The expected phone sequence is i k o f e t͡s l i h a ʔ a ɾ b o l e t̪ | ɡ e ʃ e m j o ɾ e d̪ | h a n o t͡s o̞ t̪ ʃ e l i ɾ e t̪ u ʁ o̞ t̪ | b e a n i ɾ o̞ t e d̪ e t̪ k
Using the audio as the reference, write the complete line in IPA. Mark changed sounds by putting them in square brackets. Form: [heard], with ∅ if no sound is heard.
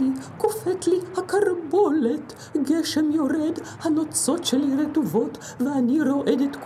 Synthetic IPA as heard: i k o f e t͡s l i h a [k] a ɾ b o l e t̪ | ɡ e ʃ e m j o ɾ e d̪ | h a n o t͡s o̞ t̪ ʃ e l i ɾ e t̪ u [v] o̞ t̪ | [v] e a n i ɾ o̞ [ʔ] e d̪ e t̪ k